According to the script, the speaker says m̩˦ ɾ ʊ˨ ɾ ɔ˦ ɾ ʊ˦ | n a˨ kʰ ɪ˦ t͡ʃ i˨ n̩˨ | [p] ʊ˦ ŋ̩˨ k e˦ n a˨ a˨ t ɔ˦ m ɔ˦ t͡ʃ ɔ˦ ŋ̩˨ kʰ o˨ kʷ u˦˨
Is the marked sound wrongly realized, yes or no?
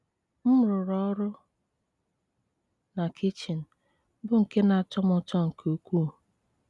yes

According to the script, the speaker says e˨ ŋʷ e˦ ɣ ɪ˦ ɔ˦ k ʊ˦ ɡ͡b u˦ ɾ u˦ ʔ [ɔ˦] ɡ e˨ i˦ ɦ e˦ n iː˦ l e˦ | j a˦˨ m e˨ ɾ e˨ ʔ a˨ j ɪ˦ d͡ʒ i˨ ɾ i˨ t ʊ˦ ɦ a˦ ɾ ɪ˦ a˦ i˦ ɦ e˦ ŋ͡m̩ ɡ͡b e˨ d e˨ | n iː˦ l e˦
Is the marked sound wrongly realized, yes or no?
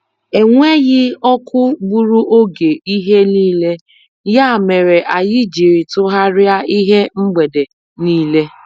yes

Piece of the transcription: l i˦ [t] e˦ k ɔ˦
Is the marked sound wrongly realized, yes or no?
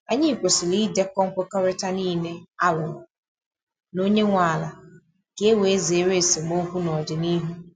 yes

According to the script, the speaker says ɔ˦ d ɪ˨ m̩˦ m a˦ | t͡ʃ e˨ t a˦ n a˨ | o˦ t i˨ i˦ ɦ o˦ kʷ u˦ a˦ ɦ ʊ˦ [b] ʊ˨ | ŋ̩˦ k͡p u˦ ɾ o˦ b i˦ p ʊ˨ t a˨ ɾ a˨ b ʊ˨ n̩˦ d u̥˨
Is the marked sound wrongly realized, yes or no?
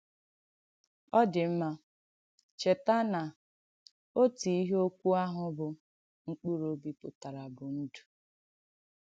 no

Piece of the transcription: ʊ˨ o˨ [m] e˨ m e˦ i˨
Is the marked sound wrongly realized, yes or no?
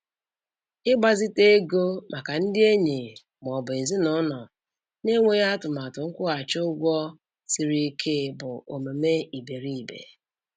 no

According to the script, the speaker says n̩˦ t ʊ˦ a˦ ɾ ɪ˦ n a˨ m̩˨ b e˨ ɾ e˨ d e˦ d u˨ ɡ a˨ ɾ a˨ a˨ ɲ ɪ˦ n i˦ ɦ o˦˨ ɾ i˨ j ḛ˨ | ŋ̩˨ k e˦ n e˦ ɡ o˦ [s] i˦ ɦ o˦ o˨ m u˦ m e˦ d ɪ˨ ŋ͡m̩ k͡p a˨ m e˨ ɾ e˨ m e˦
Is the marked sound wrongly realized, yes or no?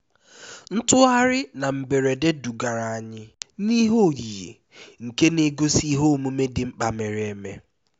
no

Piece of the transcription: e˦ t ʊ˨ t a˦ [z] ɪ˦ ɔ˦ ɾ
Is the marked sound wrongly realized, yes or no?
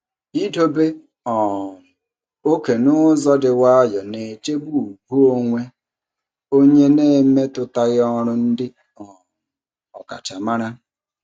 yes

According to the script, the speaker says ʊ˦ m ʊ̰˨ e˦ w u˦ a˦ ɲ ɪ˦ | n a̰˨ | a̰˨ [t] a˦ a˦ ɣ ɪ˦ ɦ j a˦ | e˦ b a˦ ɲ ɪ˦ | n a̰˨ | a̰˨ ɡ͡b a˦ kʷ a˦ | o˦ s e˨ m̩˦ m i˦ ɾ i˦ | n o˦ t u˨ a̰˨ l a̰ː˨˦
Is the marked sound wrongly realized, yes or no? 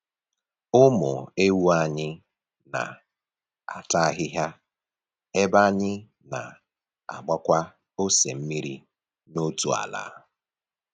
no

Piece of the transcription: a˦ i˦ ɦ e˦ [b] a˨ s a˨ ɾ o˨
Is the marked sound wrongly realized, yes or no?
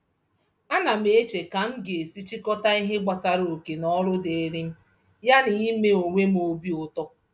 yes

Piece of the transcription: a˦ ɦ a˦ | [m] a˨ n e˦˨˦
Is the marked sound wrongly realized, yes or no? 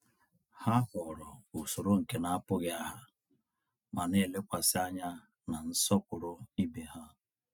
no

